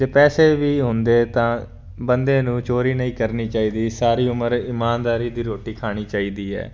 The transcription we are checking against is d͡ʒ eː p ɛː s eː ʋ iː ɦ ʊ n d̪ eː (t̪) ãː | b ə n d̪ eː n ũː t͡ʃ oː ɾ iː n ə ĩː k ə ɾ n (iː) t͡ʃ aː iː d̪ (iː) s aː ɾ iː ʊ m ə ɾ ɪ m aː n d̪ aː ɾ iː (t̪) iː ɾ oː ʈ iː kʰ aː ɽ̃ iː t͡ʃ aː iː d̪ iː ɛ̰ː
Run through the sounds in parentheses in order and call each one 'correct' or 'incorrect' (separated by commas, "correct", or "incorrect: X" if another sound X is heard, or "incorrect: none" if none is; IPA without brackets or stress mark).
correct, correct, correct, incorrect: d̪